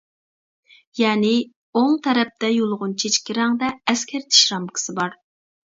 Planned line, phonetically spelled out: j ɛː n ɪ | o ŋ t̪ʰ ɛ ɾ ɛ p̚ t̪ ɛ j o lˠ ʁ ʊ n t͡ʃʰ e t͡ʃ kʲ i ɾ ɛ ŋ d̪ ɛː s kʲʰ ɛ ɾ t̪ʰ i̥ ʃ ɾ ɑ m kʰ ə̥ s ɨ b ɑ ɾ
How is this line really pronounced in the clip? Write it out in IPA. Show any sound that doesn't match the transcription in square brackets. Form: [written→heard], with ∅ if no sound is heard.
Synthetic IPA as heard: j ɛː n ɪ | o ŋ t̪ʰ ɛ ɾ ɛ p̚ t̪ ɛ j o lˠ ʁ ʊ n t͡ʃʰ e t͡ʃ kʲ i ɾ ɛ ŋ d̪ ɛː s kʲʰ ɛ ɾ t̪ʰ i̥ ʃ ɾ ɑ m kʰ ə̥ s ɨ b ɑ ɾ